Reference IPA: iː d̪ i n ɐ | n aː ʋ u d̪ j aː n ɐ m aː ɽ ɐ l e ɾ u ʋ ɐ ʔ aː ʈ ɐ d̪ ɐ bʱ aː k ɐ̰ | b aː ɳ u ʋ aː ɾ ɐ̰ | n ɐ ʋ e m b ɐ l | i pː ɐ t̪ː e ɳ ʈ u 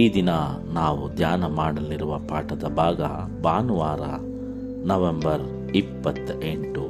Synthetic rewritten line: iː d̪ i n ɐ | n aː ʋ u d̪ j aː n ɐ m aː ɽ ɐ l i ɾ u ʋ ɐ p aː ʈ ɐ d̪ ɐ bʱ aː ɡ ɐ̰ | b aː n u ʋ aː ɾ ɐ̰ | n ɐ ʋ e m b ɐ ɾ | i pː ɐ t̪ː e ɳ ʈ u